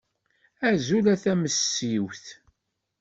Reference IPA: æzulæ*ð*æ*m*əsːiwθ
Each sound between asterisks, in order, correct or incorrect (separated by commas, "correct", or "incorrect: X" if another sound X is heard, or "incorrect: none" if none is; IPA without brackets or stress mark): incorrect: θ, correct